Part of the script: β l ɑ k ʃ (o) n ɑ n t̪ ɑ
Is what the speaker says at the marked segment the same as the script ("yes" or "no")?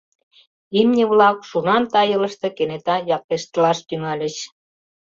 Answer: no